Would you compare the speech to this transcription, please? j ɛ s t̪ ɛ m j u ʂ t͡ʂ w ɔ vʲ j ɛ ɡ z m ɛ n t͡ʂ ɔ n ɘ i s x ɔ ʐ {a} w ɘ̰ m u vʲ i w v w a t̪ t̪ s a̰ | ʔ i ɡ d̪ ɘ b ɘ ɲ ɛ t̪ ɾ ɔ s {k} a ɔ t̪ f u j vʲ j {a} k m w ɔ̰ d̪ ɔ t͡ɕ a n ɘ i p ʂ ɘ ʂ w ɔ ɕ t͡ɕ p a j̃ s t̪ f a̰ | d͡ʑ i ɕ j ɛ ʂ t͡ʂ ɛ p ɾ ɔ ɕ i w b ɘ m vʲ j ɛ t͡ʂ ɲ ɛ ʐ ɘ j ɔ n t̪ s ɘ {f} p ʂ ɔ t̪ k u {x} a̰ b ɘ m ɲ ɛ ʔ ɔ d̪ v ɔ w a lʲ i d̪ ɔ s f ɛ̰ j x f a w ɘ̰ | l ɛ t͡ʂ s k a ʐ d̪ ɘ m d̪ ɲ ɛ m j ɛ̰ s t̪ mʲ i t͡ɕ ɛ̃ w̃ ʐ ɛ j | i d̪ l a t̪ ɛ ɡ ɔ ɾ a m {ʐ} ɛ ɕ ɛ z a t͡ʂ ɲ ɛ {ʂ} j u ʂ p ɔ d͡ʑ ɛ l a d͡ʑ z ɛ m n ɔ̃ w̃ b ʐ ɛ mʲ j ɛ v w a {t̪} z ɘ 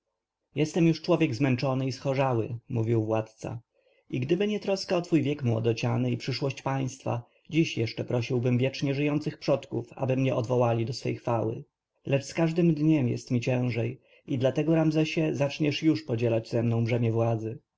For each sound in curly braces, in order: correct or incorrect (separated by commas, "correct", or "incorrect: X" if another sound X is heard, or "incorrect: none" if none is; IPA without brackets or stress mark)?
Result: correct, correct, incorrect: ɛ, incorrect: x, incorrect: f, incorrect: z, correct, incorrect: d̪